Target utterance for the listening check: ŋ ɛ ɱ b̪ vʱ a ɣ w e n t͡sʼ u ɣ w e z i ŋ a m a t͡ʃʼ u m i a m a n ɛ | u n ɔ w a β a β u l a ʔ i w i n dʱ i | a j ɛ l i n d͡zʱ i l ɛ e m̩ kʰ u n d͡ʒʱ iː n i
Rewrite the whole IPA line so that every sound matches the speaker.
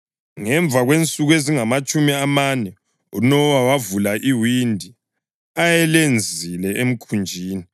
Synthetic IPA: ŋ ɛ ɱ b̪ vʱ a ɣ w e n t͡sʼ u ɣ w e z i ŋ a m a t͡ʃʼ u m i a m a n ɛ | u n ɔ w a w a v u l a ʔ i w i n dʱ i | a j ɛ l e n d͡zʱ i l ɛ e m̩ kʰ u n d͡ʒʱ iː n i